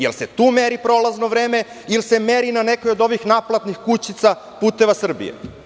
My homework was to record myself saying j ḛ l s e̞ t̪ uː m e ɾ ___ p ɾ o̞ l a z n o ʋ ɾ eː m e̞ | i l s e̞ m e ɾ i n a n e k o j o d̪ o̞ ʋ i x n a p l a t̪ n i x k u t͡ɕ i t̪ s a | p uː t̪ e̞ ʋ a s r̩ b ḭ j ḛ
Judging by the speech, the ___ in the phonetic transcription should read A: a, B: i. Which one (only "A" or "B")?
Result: B